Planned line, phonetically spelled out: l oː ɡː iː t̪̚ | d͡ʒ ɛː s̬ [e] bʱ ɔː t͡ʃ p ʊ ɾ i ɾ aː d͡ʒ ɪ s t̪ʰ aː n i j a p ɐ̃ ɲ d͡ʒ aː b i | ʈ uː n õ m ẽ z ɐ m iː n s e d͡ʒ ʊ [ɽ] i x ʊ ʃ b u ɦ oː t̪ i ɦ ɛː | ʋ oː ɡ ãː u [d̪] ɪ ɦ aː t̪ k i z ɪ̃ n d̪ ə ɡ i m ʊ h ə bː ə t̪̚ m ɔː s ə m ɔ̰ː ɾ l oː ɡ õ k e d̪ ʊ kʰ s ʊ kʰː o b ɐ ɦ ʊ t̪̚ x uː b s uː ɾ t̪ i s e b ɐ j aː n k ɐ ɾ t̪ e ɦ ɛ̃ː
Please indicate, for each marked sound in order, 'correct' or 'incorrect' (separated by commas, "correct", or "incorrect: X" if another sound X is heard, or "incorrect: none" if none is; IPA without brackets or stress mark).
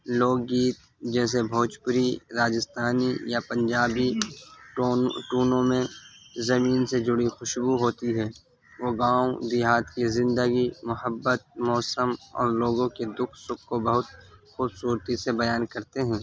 correct, correct, correct